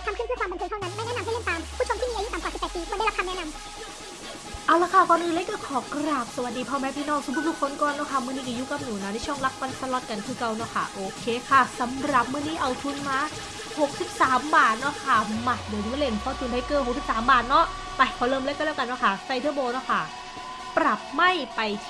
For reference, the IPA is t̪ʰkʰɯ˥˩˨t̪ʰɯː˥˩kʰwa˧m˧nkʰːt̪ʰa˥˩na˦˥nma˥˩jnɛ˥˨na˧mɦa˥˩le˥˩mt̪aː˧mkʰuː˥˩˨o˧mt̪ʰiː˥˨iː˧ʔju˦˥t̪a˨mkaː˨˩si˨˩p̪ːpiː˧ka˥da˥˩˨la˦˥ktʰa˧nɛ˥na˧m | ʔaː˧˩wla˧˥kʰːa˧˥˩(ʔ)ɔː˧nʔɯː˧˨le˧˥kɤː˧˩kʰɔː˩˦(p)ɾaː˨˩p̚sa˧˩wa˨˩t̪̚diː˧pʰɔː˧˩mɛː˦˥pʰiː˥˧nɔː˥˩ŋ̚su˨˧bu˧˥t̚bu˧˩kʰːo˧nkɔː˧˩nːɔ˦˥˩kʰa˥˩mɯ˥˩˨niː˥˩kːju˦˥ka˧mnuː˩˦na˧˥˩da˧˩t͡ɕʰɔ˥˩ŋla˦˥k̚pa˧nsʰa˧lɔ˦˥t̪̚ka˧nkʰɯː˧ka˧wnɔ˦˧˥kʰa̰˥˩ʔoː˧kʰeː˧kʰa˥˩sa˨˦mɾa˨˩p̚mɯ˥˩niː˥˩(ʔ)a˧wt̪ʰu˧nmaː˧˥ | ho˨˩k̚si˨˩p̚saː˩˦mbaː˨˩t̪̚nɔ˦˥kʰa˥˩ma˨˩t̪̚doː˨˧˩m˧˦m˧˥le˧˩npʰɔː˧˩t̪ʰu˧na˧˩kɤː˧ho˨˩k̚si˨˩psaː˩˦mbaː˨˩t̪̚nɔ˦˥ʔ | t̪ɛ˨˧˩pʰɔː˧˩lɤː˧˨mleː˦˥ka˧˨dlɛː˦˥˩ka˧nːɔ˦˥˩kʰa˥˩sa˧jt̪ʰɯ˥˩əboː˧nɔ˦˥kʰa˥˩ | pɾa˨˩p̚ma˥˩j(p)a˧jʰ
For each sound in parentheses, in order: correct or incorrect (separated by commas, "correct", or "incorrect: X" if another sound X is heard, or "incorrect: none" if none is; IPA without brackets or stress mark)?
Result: incorrect: k, incorrect: k, correct, correct